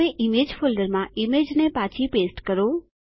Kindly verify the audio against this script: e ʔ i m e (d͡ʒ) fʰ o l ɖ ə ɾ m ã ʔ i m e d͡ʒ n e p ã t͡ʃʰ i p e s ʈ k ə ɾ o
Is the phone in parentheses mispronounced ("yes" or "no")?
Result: no